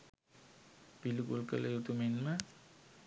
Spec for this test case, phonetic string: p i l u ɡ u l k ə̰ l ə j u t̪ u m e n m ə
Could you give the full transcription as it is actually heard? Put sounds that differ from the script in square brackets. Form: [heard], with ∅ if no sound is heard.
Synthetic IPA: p i l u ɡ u l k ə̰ l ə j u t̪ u m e n m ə